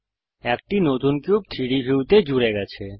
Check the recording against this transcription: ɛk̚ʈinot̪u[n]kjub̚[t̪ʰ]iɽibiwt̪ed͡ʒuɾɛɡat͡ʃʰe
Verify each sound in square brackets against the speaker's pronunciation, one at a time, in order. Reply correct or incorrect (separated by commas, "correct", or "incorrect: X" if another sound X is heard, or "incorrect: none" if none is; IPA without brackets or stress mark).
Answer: correct, correct